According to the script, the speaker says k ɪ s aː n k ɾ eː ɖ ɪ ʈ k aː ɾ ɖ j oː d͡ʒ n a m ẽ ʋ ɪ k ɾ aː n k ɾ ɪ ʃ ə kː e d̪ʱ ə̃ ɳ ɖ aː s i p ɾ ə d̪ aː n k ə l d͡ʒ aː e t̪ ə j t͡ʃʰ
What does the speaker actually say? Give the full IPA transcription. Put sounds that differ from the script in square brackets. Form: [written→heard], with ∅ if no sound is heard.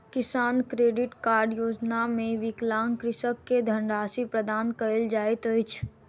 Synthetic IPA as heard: k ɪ s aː n k ɾ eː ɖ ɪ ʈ k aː ɾ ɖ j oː d͡ʒ n a m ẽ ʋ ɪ k [ɾ→l] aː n k ɾ ɪ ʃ ə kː e d̪ʱ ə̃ ɳ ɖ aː s i p ɾ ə d̪ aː n k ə l d͡ʒ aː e t̪ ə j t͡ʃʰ